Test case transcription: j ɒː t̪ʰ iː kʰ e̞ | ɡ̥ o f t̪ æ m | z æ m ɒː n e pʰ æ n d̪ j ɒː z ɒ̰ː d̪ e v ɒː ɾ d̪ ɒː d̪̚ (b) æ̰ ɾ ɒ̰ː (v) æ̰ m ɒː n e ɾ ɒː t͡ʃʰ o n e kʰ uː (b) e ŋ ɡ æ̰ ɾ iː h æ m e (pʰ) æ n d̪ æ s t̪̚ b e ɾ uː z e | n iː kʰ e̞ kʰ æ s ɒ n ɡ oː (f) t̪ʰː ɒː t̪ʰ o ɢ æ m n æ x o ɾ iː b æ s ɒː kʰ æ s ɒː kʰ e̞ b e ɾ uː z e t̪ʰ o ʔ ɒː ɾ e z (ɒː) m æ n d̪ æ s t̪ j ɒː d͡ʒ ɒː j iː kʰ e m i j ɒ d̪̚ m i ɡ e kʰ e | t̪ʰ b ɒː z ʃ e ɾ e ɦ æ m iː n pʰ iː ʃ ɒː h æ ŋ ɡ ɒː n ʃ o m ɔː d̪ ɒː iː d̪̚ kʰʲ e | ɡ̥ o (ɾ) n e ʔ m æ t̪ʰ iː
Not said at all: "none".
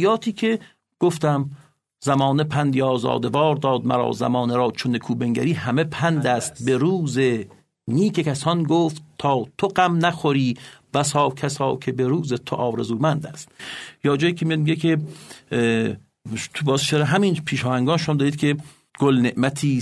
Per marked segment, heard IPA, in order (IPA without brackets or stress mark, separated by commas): m, z, b, pʰ, f, uː, l